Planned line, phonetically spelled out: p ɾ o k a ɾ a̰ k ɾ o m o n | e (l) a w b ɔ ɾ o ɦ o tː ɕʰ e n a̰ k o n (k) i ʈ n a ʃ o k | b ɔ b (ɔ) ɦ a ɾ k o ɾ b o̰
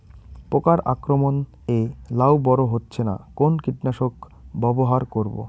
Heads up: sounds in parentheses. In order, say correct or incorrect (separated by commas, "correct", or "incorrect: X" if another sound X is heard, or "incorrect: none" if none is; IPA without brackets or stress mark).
correct, correct, incorrect: o